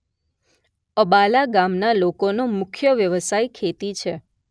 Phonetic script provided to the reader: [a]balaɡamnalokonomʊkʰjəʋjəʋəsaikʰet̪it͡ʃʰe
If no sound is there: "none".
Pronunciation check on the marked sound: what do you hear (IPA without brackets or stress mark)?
ə